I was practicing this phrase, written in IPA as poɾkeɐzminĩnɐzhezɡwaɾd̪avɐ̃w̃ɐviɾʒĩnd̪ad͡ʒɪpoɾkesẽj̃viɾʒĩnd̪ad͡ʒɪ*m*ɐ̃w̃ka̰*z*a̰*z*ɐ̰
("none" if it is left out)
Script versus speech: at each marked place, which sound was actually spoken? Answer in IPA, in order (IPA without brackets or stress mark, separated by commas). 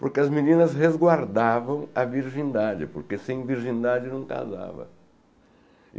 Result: n, z, v